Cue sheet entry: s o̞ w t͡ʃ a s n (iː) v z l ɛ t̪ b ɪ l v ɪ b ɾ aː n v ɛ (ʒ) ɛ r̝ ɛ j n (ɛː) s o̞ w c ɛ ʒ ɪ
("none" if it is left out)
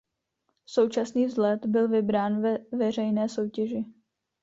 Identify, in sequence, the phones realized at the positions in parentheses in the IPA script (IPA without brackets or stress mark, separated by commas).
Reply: iː, v, ɛː